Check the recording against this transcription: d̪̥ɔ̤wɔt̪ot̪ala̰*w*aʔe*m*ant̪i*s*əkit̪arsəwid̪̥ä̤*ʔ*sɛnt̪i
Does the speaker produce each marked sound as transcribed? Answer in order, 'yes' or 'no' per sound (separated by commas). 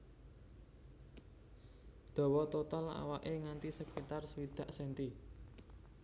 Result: yes, no, yes, yes